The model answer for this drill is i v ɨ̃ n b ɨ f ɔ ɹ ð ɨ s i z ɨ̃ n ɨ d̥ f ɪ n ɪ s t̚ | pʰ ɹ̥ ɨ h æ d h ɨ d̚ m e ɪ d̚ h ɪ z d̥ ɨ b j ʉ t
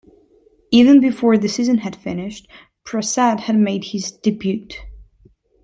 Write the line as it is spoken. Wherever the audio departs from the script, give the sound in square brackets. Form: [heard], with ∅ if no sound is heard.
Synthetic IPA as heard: i v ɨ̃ n b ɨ f ɔ ɹ ð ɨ s i z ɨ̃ n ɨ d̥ f ɪ n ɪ [ʃ] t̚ | pʰ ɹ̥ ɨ [s] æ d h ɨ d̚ m e ɪ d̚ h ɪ z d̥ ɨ b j ʉ t